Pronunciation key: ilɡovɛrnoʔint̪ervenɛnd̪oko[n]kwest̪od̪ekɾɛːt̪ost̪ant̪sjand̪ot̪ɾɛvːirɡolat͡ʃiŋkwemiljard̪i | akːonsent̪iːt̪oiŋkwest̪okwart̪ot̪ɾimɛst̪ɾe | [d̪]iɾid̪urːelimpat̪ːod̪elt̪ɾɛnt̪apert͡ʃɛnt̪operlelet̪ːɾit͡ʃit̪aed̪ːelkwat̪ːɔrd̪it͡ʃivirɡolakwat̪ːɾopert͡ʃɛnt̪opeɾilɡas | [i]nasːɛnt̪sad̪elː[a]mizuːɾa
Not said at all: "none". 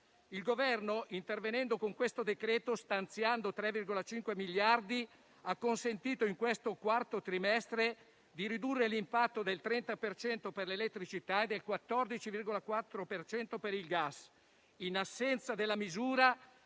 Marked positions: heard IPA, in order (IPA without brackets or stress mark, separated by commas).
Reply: ŋ, d̪, i, a